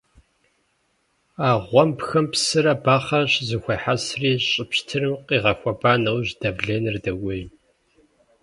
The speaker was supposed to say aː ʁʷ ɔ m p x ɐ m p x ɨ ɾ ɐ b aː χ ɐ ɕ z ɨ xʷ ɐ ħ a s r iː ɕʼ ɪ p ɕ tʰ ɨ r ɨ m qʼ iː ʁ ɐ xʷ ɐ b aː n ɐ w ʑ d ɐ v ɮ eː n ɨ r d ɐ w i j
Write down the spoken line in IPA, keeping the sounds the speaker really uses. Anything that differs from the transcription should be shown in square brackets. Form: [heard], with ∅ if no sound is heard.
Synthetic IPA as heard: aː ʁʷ ɔ m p x ɐ m p [s] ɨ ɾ ɐ b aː χ ɐ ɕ z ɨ xʷ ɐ ħ a s r iː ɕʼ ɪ p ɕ tʰ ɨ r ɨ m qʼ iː ʁ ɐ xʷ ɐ b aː n ɐ w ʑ d ɐ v ɮ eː n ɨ r d ɐ w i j